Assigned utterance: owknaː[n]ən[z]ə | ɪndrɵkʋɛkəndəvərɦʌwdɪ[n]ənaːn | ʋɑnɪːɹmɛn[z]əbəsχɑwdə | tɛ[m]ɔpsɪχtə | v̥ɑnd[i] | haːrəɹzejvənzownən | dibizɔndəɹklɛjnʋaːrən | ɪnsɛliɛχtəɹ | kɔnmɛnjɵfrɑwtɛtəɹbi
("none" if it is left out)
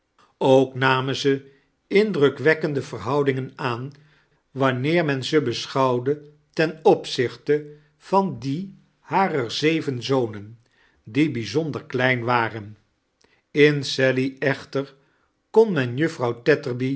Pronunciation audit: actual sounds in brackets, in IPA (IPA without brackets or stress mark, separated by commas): m, z, ŋ, z, n, i